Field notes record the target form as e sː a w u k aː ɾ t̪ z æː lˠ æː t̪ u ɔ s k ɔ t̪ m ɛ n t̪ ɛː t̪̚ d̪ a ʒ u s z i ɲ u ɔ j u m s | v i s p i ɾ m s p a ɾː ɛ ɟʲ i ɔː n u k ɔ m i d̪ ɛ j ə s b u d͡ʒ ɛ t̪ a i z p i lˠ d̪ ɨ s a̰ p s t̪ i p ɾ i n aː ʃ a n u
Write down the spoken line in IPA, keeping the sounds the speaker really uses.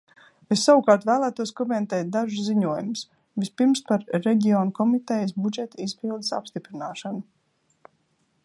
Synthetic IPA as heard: e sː a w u k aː ɾ t̪ v æː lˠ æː t̪ u ɔ s k ɔ m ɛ n t̪ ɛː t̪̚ d̪ a ʒ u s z i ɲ u ɔ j u m s | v i s p i ɾ m s p a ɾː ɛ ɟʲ i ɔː n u k ɔ m i t̪ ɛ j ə s b u d͡ʒ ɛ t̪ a i z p i lˠ d̪ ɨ s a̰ p s t̪ i p ɾ i n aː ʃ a n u